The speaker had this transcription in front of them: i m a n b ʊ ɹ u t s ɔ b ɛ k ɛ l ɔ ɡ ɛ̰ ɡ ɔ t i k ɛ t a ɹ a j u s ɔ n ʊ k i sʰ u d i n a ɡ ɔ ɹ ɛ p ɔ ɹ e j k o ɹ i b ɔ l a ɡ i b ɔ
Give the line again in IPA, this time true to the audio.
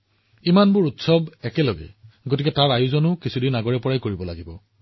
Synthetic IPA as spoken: i m a n b ʊ ɹ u t s ɔ b ɛ k ɛ l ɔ ɡ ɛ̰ ɡ o t i k ɛ t a ɹ a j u z ɔ n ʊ k i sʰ u d i n a ɡ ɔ ɹ ɛ p ɔ ɹ a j k o ɹ i b ɔ l a ɡ i b ɔ